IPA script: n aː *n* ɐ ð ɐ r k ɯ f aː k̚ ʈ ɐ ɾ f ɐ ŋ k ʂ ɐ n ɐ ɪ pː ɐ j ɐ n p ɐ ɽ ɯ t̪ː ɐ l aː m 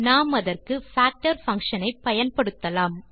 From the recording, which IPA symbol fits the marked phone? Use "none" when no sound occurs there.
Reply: m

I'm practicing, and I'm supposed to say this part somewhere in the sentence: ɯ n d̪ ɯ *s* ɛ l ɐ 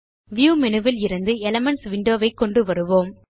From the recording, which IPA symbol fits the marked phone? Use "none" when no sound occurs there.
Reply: none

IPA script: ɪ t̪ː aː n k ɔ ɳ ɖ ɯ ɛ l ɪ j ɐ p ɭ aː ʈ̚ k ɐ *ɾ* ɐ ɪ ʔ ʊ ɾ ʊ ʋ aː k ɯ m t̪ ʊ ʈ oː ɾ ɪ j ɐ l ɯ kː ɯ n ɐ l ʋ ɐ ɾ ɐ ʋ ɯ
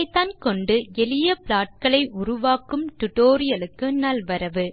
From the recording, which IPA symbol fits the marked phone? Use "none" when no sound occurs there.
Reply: ɭ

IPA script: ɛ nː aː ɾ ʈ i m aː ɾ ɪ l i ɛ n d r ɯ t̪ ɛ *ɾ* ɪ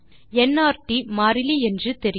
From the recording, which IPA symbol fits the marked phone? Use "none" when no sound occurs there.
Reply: ɾ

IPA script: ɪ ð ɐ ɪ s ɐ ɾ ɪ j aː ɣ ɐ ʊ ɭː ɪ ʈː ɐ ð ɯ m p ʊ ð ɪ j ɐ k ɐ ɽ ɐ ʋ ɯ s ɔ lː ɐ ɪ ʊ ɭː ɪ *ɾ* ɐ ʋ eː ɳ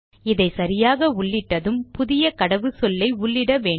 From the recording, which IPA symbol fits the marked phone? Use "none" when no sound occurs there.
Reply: ɽ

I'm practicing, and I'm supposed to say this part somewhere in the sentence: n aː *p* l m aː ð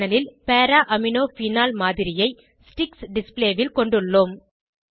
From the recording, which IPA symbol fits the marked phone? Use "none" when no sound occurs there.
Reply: none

